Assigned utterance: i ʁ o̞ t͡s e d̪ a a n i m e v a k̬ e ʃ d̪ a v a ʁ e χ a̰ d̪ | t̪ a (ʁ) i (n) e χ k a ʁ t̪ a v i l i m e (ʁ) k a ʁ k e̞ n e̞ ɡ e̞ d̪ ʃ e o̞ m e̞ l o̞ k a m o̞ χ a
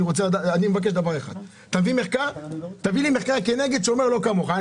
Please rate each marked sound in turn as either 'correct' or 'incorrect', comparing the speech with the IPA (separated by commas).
incorrect, incorrect, incorrect